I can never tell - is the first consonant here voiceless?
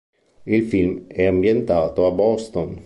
no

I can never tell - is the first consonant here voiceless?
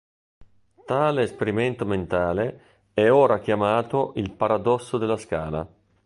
yes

